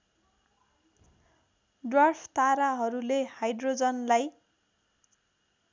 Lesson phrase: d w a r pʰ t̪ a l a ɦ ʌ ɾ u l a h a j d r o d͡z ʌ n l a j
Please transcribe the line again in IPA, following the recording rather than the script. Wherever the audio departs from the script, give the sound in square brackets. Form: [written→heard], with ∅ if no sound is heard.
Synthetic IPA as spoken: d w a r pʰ t̪ a [l→ɾ] a ɦ ʌ ɾ u l [a→e] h a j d r o d͡z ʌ n l a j